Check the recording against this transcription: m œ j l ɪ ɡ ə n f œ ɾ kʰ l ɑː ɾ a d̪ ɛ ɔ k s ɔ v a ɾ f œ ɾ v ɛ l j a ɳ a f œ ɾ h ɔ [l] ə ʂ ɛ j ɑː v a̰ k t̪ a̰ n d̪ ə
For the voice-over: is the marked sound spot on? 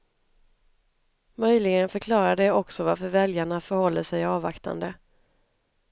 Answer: no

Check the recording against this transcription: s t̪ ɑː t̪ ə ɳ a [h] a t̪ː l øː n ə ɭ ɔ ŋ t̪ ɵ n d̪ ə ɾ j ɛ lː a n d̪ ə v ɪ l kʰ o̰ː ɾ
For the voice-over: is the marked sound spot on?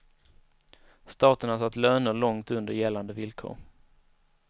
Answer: no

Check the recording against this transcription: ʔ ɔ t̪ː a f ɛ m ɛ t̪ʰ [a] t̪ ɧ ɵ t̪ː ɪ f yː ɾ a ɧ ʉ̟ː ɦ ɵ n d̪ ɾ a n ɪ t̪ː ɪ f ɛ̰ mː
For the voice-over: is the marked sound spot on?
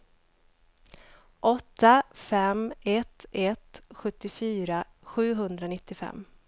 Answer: no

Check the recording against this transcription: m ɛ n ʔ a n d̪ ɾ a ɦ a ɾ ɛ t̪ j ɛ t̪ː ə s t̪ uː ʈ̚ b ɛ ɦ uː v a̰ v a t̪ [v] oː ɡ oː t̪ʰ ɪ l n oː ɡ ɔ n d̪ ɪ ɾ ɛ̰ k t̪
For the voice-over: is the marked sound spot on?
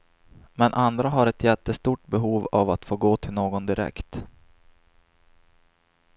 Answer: no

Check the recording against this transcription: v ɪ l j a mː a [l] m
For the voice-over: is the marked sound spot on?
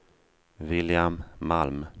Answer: yes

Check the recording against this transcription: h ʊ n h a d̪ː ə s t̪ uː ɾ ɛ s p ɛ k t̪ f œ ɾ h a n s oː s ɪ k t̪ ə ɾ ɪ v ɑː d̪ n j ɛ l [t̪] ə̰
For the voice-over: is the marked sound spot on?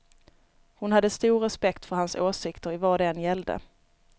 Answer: no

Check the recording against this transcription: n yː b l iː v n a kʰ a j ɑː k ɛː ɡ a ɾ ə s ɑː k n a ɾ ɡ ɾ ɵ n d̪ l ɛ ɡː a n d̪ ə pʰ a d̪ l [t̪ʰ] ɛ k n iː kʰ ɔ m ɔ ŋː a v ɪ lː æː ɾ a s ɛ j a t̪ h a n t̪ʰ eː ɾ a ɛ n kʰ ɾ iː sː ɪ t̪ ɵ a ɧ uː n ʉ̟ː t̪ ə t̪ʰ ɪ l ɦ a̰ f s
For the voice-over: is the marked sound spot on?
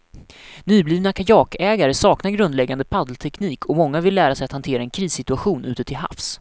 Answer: yes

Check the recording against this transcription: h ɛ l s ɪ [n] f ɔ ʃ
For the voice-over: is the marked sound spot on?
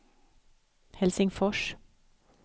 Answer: no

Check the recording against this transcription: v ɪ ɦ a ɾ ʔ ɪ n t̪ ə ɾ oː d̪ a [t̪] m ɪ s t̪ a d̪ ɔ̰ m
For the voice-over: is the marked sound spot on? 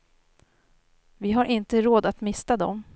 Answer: yes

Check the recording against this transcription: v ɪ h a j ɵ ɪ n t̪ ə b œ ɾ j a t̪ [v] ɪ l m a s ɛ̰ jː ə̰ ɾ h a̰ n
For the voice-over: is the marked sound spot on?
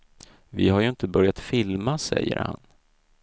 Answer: no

